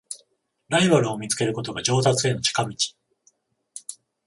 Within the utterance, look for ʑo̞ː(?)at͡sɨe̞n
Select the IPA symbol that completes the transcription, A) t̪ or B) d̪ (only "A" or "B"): A